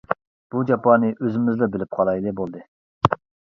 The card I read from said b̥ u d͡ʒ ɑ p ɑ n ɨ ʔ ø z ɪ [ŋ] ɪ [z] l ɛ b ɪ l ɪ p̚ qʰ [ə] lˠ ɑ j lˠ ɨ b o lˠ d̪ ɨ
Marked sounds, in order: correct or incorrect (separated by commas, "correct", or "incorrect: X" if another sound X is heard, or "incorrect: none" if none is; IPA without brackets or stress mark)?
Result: incorrect: m, correct, incorrect: ɑ